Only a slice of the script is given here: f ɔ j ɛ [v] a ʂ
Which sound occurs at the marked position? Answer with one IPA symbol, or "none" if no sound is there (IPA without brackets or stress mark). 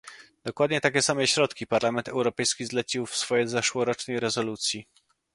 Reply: z